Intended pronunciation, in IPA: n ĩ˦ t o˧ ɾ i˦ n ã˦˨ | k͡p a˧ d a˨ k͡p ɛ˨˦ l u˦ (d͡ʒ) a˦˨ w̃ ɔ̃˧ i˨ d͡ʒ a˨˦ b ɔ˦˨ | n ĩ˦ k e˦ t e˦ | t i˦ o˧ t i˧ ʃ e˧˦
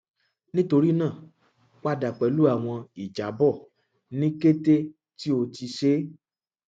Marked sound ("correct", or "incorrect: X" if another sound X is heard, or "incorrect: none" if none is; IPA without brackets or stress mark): incorrect: none